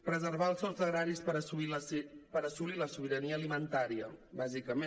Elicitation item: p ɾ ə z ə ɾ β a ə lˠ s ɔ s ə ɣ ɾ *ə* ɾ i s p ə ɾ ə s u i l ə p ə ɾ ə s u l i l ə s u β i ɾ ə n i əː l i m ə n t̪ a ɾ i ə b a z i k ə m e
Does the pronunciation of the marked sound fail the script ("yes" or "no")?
yes